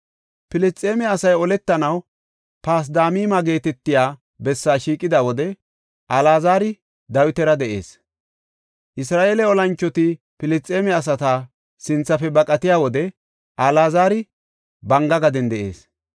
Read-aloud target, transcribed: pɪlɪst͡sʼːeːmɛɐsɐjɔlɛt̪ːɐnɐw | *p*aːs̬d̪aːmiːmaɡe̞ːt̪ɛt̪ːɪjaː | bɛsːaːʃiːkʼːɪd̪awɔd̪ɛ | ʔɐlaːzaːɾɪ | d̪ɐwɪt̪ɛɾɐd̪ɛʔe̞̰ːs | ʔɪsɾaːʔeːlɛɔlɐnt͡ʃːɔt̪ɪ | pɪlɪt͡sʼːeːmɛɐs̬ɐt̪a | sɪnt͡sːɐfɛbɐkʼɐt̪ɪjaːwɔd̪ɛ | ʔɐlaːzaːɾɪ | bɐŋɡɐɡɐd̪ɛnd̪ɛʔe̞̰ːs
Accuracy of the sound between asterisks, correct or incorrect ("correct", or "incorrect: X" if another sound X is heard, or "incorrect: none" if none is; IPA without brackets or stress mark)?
correct